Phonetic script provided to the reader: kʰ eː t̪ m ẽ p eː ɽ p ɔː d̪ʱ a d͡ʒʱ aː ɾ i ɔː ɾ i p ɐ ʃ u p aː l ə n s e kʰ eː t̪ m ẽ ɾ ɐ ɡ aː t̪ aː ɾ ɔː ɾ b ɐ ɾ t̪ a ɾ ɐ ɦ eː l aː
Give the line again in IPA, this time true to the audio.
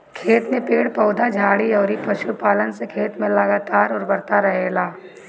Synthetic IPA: kʰ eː t̪ m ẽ p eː ɽ p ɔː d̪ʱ a d͡ʒʱ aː ɽ i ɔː ɾ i p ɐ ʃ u p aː l ə n s e kʰ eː t̪ m ẽ l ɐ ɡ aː t̪ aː ɾ ɔː ɾ b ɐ ɾ t̪ a ɾ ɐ ɦ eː l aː